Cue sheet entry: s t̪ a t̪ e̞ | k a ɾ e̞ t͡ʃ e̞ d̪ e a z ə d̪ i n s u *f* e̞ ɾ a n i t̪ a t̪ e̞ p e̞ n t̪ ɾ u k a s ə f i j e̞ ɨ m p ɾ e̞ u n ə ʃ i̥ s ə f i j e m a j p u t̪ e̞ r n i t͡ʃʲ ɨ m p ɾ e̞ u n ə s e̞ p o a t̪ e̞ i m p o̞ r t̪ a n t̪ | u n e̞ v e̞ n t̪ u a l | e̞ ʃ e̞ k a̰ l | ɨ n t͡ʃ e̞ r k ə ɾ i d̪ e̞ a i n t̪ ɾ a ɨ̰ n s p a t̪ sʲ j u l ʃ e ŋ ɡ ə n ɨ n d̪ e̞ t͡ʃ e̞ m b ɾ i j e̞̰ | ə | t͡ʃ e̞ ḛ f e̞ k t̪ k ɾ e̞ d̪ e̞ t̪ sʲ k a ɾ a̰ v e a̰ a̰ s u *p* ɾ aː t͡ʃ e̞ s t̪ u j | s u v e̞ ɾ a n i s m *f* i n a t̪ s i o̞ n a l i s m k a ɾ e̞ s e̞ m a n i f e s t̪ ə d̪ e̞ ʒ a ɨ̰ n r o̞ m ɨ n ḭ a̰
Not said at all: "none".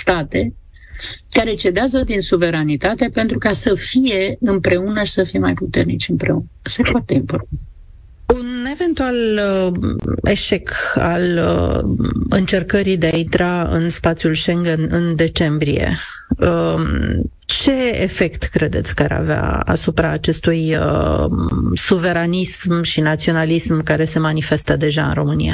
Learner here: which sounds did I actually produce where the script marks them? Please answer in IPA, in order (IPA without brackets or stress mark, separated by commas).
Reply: v, p, ʃ